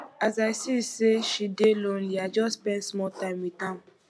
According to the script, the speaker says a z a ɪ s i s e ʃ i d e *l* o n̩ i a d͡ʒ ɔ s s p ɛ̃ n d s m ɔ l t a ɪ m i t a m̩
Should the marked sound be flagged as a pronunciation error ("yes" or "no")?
no